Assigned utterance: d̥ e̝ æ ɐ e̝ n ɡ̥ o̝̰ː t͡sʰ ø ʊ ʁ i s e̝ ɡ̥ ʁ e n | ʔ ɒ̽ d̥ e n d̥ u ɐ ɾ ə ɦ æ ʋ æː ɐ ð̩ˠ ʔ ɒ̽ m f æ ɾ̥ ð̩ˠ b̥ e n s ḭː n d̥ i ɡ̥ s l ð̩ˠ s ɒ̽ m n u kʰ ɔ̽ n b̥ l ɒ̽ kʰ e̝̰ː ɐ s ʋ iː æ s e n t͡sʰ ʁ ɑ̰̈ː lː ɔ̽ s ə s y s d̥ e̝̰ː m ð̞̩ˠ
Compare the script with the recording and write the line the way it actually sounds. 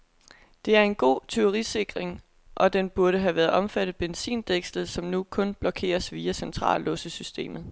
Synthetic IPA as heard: d̥ e̝ æ ɐ e̝ n ɡ̥ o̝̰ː t͡sʰ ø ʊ ʁ i s e̝ ɡ̥ ʁ e ŋ | ʔ ɒ̽ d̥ e n b̥ u ɐ ɾ ə ɦ æ ʋ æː ɐ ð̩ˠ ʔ ɒ̽ m f æ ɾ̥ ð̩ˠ b̥ e n s ḭː n d̥ e ɡ̥ s l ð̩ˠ s ɒ̽ m n u kʰ ɔ̽ n b̥ l ɒ̽ kʰ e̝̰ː ɐ s ʋ iː æ s e n t͡sʰ ʁ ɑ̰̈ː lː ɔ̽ s ə s y s d̥ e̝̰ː m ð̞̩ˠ